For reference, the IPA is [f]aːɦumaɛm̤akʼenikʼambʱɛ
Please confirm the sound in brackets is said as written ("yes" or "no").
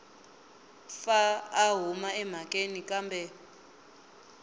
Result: yes